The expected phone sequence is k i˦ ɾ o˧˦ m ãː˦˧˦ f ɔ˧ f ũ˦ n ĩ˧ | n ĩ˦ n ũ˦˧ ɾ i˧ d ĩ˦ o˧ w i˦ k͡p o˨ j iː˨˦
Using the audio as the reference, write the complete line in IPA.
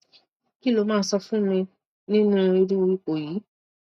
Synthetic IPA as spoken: k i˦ l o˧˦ m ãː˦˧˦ s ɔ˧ f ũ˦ m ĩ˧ | n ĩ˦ n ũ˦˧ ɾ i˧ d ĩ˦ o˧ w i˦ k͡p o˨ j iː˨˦